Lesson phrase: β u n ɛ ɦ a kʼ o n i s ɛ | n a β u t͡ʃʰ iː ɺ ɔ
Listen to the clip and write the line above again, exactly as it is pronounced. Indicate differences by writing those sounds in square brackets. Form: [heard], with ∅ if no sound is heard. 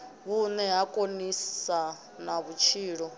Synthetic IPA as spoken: β u n ɛ ɦ a kʼ o n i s [a] | n a β u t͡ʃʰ iː ɺ ɔ